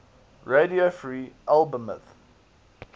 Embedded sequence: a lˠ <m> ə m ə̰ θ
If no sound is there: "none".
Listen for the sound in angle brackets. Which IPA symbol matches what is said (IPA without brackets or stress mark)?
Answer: b